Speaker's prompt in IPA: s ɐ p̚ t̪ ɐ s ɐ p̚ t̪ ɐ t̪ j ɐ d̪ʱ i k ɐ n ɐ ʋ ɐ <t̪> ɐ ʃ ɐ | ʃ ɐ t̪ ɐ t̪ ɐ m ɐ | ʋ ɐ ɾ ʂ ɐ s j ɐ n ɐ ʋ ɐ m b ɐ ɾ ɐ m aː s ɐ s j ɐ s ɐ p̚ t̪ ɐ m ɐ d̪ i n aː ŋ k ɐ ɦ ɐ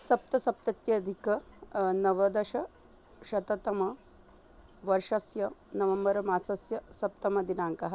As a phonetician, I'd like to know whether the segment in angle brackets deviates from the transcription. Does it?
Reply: yes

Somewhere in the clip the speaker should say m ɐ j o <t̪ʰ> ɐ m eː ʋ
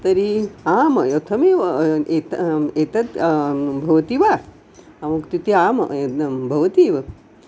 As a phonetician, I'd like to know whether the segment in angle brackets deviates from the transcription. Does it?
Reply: no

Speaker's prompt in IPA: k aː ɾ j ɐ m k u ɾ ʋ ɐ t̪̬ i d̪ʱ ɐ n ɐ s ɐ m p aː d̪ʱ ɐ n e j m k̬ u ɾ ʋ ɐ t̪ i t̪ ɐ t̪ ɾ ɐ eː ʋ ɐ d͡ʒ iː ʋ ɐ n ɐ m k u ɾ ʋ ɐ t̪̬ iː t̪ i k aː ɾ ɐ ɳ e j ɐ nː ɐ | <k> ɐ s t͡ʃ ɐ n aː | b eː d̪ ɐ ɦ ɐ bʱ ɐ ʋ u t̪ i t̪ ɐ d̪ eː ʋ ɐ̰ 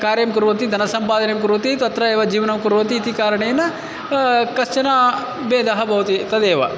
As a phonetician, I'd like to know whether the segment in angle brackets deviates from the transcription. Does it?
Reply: no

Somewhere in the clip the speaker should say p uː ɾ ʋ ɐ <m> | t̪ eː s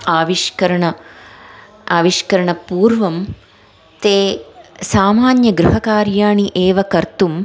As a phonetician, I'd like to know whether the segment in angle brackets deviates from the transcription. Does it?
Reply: no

